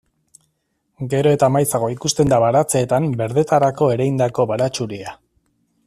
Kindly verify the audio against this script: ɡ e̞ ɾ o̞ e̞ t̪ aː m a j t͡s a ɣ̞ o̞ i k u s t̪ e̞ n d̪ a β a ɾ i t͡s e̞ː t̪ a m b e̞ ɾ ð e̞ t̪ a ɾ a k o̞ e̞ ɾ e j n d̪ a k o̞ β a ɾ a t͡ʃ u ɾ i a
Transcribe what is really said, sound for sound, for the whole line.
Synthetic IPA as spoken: ɡ e̞ ɾ o̞ e̞ t̪ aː m a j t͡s a ɣ̞ o̞ i k u s t̪ e̞ n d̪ a β a ɾ a t͡s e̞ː t̪ a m b e̞ ɾ ð e̞ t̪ a ɾ a k o̞ e̞ ɾ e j n d̪ a k o̞ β a ɾ a t͡ʃ u ɾ i a